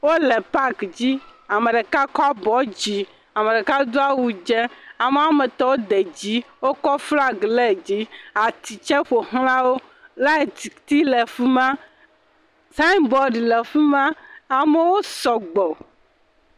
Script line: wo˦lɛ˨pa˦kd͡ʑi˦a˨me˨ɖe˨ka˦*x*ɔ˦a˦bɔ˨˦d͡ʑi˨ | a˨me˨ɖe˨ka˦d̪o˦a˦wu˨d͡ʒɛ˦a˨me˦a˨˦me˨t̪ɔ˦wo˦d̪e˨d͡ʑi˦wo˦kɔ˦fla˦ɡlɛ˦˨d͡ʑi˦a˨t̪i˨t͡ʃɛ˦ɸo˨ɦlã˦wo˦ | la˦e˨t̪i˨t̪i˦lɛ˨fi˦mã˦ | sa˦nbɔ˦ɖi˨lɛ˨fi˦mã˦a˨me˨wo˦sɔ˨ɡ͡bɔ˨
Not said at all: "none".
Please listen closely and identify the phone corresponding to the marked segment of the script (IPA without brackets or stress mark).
k